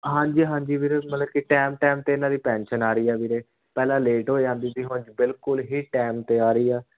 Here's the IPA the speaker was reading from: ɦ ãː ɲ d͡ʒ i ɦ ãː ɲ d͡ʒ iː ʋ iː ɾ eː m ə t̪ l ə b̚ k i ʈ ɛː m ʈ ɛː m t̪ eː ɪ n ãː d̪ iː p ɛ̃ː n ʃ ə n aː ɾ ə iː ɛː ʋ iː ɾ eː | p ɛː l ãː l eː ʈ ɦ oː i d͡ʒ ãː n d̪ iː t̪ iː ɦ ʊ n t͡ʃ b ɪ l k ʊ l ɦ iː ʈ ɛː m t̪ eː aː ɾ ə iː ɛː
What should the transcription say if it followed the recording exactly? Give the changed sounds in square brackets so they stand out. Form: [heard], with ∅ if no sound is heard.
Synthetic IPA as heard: ɦ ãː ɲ d͡ʒ [iː] ɦ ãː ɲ d͡ʒ iː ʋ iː ɾ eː m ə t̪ l ə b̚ k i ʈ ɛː m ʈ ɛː m t̪ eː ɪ n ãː d̪ iː p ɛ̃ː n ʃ ə n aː ɾ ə iː ɛː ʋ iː ɾ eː | p ɛː l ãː l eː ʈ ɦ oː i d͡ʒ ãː n d̪ iː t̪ iː ɦ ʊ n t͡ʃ b ɪ l k ʊ l ɦ iː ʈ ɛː m t̪ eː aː ɾ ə iː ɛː